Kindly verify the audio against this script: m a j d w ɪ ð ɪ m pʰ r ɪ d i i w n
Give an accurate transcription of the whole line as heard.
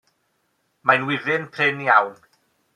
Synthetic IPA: m a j n w ɪ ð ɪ n pʰ r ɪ n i a w n